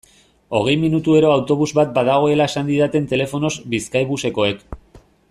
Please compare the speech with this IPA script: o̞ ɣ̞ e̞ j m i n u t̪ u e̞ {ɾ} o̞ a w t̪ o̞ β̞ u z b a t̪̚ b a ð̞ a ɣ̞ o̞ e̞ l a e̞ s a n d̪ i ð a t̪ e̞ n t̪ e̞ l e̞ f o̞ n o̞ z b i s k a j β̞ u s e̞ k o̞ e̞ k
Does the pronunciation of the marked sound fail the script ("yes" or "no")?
no